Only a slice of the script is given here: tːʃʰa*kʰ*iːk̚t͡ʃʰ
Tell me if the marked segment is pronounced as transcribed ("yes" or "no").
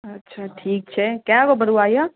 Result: no